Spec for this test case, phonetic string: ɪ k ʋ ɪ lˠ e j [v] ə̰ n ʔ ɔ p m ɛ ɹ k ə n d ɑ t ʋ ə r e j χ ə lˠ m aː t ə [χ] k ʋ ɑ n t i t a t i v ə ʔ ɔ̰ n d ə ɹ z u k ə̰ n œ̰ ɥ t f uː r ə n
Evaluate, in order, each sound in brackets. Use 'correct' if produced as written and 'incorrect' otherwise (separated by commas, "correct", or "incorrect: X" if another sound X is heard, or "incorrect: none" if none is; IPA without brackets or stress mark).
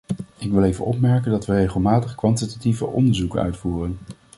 correct, correct